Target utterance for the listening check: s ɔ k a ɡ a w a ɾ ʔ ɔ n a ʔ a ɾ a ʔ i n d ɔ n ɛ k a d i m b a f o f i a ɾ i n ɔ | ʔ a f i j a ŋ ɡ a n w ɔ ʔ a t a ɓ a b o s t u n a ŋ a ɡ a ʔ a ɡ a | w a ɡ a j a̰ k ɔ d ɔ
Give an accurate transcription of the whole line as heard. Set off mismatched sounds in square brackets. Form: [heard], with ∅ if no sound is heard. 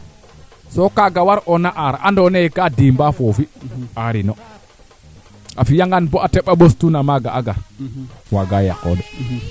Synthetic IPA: s ɔ k a ɡ a w a ɾ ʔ ɔ n a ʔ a ɾ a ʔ [a] n d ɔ n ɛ k a d i m b a f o f i a ɾ i n ɔ | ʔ a f i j a ŋ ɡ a n [b] ɔ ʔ a t [ɛ] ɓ a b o s t u n a [m] a ɡ a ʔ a ɡ a | w a ɡ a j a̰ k ɔ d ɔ